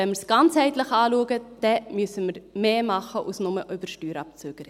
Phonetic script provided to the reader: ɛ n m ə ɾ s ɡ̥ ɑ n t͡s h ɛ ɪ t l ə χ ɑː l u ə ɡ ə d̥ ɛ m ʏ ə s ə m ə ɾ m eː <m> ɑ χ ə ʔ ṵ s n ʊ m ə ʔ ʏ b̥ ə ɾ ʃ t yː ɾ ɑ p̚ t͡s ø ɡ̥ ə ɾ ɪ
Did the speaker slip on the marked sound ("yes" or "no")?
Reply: no